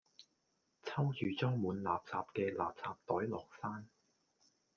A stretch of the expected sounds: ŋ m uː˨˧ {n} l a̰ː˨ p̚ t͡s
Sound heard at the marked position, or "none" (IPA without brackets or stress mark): n